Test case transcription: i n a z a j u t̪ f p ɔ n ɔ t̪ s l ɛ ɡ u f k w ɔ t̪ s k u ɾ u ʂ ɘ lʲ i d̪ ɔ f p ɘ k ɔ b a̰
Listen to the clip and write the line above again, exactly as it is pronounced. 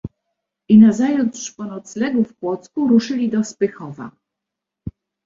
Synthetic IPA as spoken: i n a z a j u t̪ ʂ p ɔ n ɔ t̪ s l ɛ ɡ u f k w ɔ t̪ s k u ɾ u ʂ ɘ lʲ i d̪ ɔ s p ɘ x ɔ v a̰